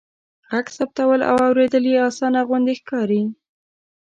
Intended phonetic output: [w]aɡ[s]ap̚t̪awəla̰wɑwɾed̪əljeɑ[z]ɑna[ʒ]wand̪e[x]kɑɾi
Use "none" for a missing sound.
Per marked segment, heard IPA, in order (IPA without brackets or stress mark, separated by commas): ɣ, s, s, ɣ, x